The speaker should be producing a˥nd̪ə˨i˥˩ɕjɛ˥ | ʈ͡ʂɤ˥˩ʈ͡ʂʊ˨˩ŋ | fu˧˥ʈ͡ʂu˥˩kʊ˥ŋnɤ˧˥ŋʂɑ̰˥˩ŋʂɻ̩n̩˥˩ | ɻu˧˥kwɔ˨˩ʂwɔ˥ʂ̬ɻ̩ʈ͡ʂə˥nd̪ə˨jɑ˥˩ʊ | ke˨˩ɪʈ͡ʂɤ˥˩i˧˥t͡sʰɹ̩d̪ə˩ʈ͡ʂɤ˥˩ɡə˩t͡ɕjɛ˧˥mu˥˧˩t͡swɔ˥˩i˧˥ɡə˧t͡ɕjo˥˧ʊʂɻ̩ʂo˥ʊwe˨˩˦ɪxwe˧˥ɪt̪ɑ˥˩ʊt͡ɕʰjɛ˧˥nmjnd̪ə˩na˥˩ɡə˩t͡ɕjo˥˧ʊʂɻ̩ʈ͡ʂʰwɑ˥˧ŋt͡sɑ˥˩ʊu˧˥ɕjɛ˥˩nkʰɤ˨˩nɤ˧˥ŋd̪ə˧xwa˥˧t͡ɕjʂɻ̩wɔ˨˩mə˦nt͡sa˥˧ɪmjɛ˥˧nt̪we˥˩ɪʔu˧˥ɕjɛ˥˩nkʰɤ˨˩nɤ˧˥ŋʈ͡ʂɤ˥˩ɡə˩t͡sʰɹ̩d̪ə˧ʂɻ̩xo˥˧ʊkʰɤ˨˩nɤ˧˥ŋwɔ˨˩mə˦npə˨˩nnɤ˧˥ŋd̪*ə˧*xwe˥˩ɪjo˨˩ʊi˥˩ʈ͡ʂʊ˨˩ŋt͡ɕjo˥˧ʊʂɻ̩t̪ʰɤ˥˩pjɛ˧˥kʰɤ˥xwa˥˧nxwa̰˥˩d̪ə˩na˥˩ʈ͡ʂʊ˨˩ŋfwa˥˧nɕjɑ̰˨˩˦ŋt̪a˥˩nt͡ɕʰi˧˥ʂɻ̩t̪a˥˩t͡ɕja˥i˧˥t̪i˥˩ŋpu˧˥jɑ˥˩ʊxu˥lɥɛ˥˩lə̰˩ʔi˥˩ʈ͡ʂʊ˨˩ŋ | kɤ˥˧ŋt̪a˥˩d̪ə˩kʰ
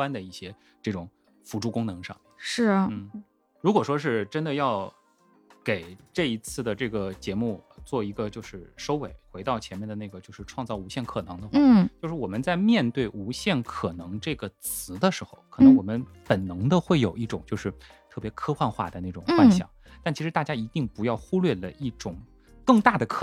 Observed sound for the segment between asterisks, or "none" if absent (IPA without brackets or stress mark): ə˧